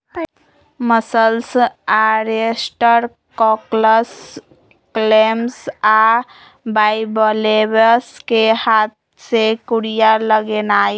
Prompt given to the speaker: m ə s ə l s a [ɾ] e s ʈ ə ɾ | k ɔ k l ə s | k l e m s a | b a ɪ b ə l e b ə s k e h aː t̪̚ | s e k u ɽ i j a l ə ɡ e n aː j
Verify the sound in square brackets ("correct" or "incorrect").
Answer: correct